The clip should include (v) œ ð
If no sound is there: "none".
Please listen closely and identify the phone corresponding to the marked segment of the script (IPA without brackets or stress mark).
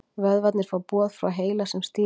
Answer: v